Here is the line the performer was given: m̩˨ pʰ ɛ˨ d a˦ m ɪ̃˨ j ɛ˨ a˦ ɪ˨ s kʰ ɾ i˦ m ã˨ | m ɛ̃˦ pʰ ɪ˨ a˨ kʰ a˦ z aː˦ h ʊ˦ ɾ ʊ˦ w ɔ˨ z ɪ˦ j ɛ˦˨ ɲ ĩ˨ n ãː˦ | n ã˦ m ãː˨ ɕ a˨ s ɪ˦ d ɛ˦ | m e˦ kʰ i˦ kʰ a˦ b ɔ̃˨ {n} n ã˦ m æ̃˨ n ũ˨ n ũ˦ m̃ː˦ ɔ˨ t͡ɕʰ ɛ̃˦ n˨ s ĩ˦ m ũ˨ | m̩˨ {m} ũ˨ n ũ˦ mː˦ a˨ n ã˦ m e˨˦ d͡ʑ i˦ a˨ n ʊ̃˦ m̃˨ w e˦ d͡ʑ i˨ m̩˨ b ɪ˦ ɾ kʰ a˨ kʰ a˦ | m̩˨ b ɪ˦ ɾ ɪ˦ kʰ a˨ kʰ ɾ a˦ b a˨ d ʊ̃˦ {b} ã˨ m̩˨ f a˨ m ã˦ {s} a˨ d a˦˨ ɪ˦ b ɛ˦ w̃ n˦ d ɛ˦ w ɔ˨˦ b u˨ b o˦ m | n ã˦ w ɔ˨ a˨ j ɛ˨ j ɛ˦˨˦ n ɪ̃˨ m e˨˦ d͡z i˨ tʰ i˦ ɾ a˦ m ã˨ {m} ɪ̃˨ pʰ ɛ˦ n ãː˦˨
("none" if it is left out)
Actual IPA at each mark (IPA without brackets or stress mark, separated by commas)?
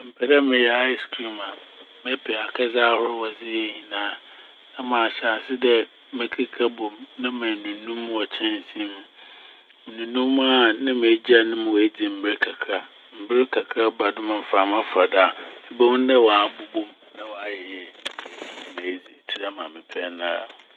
m, n, m, f, m